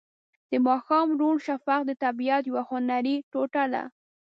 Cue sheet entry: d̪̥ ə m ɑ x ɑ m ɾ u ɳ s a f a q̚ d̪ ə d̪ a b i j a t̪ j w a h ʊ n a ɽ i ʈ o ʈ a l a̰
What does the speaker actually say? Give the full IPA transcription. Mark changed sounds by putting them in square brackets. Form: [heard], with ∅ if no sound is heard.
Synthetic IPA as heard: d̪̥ ə m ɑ x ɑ m ɾ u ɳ [ʃ] a f a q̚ d̪ ə [t̪] a b i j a t̪ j w a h ʊ n a [ɾ] i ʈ o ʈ a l a̰

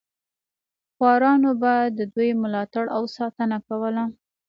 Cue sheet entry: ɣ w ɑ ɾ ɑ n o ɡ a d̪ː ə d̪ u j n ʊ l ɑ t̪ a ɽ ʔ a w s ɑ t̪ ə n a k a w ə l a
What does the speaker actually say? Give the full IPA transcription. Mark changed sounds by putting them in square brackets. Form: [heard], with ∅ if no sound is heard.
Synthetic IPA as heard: [x] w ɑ ɾ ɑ n o [b] a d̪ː ə d̪ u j [m] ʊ l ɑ t̪ a ɽ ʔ a w s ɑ t̪ ə n a k a w ə l a

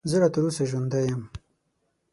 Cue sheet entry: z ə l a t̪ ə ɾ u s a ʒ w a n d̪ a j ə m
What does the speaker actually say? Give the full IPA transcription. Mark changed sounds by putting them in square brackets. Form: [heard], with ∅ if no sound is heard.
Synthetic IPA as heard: z ə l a t̪ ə ɾ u s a ʒ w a n d̪ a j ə m

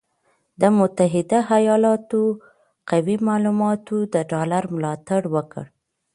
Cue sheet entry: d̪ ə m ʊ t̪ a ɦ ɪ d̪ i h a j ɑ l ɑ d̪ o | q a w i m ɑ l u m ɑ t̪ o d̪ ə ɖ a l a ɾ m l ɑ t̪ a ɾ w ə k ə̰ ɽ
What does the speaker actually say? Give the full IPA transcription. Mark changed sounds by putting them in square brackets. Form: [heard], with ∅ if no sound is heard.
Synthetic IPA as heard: d̪ ə m ʊ t̪ a ɦ ɪ d̪ [a] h a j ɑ l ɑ [t̪] o | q a w i m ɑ l u m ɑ t̪ o d̪ ə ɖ [ɑ] l a ɾ m l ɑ t̪ a [ɽ] w ə k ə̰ ɽ

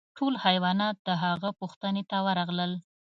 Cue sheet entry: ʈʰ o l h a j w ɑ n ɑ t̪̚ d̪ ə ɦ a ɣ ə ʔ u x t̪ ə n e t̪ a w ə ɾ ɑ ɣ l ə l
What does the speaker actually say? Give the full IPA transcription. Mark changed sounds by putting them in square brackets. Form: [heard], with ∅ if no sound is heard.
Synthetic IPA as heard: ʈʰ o l h a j w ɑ n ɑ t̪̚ d̪ ə ɦ a ɣ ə [p] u x t̪ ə n e t̪ a w ə ɾ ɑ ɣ l ə l

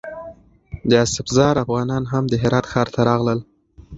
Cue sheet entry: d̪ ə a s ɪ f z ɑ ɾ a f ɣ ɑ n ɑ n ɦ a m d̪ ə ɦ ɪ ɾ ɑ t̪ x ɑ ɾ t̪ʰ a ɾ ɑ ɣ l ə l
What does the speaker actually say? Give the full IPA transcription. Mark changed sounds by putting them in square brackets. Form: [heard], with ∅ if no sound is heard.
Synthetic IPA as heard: d̪ ə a s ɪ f z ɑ ɾ a f ɣ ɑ n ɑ n ɦ a m d̪ ə ɦ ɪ ɾ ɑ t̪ x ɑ ɾ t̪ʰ a ɾ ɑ ɣ l ə l

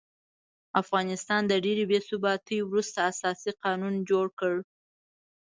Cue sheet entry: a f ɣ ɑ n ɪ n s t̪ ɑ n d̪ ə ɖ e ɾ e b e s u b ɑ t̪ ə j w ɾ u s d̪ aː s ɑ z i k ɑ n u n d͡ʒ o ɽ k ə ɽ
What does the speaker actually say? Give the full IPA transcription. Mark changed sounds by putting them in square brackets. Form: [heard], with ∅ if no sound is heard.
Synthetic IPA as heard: a f ɣ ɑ n ɪ [∅] s t̪ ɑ n d̪ ə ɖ e ɾ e b e s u b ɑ t̪ ə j w ɾ u s [t̪] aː s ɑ [s] i [q] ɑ n u n d͡ʒ o ɽ k ə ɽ

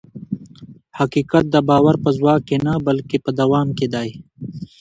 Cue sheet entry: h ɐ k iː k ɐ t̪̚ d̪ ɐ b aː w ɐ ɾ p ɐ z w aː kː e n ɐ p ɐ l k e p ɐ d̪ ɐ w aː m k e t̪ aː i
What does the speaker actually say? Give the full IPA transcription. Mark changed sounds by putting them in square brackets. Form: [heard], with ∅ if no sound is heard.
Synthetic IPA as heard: h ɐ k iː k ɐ t̪̚ d̪ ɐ b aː w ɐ ɾ p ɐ z w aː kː e n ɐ [b] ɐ l k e p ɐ d̪ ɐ w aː m k e [d̪] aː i

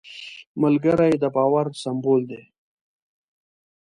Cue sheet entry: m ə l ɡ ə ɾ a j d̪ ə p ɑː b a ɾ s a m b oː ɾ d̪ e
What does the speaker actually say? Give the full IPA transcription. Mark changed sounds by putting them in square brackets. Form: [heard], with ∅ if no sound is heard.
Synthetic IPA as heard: m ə l ɡ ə ɾ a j d̪ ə [b] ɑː [w] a ɾ s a m b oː [l] d̪ e

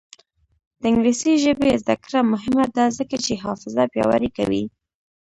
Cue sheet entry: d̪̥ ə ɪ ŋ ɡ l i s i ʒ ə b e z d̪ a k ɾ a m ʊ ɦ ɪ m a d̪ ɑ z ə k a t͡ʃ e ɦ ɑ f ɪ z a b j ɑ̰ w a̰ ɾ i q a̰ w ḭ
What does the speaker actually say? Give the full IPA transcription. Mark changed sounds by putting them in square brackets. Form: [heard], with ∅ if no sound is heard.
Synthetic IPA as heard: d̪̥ ə ɪ ŋ ɡ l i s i ʒ ə b e z d̪ a k ɾ a m ʊ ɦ ɪ m a d̪ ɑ z ə k a t͡ʃ e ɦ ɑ f ɪ z a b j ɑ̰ w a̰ ɾ i [k] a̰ w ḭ

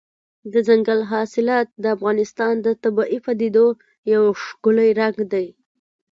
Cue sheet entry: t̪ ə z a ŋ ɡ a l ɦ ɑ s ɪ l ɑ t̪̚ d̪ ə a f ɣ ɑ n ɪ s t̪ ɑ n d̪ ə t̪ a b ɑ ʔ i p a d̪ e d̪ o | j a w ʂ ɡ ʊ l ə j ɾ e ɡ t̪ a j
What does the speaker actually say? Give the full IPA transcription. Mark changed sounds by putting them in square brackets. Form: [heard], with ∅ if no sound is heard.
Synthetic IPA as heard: [d̪] ə z a ŋ ɡ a l ɦ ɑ s ɪ l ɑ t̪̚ d̪ ə a f ɣ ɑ n ɪ s t̪ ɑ n d̪ ə t̪ a b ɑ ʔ i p a d̪ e d̪ o | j a w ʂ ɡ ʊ l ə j ɾ [a] ɡ [d̪] a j

